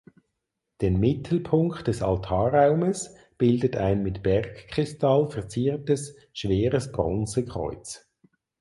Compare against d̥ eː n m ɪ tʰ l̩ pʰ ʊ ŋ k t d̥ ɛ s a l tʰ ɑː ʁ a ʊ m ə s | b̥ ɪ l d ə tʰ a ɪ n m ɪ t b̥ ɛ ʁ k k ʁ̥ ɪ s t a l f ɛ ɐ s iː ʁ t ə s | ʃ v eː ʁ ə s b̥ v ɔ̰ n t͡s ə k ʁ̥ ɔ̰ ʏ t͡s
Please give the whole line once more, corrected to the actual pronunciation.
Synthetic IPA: d̥ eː n m ɪ tʰ l̩ pʰ ʊ ŋ k t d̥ ɛ s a l tʰ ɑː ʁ a ʊ m ə s | b̥ ɪ l d ə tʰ a ɪ n m ɪ t b̥ ɛ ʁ k k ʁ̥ ɪ s t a l f ɛ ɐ t͡s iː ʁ t ə s | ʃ v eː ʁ ə s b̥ ʁ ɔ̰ n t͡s ə k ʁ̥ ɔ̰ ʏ t͡s